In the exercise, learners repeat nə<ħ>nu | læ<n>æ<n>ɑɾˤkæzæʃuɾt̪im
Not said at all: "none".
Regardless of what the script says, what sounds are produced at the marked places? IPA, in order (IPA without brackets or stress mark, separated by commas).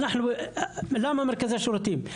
ħ, m, m